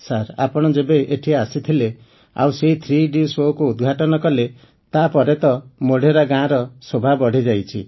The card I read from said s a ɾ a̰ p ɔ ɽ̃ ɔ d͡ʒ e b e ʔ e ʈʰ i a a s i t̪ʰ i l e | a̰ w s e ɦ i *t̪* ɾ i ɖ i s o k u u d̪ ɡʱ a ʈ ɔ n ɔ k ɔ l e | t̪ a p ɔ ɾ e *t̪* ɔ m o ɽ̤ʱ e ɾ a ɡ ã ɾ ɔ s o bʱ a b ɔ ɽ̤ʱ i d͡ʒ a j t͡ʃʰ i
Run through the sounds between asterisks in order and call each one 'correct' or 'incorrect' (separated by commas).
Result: incorrect, correct